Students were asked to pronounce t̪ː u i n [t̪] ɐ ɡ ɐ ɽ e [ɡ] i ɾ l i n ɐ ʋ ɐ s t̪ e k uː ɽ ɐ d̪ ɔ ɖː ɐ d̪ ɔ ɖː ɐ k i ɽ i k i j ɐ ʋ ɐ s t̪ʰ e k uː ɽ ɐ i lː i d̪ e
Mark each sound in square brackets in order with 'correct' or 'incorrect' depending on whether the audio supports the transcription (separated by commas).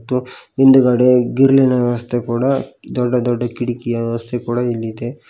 incorrect, correct